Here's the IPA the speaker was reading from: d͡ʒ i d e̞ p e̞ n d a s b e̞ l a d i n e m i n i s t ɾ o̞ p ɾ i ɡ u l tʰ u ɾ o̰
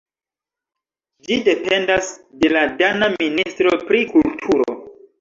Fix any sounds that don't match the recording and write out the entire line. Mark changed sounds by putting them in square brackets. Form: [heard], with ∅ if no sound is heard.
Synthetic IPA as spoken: d͡ʒ i d e̞ p e̞ n d a s [d] e̞ l a d [a] n [a] m i n i s t ɾ o̞ p ɾ i [k] u l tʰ u ɾ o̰